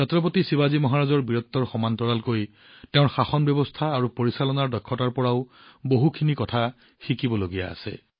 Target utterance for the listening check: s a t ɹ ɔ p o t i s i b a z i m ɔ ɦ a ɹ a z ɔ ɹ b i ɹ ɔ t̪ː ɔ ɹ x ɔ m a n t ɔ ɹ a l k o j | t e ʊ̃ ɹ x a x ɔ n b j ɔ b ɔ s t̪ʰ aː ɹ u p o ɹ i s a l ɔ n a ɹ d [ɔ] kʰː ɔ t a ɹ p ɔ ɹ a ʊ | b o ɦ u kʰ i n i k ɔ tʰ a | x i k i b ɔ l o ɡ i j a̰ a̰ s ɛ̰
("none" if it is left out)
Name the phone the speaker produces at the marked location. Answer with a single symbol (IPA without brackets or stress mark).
ɔ